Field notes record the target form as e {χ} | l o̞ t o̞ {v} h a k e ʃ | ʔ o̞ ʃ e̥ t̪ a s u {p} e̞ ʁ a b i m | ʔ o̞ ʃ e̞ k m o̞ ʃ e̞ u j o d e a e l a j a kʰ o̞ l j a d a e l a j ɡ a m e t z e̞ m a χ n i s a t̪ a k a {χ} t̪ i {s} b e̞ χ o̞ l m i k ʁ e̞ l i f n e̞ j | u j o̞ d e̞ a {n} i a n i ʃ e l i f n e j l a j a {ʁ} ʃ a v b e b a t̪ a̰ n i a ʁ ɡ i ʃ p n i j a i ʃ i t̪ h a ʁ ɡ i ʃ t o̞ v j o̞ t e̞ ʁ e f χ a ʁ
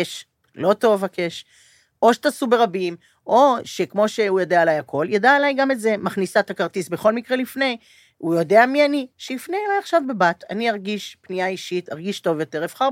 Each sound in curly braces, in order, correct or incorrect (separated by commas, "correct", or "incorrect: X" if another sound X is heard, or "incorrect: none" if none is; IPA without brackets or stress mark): incorrect: ʃ, correct, incorrect: b, incorrect: ʁ, correct, incorrect: m, incorrect: χ